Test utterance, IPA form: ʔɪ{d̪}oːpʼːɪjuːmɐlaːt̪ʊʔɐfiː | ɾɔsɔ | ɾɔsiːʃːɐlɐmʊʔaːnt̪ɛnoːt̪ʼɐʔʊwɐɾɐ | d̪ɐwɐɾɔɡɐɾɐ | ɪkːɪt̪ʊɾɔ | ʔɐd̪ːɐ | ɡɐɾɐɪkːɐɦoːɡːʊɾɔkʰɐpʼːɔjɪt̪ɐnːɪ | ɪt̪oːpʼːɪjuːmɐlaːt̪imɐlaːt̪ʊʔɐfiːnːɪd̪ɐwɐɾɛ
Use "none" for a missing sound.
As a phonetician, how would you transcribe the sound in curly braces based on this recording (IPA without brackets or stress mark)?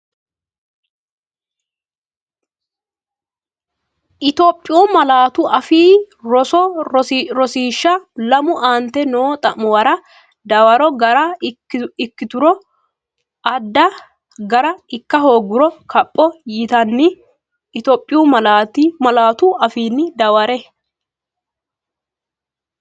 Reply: t̪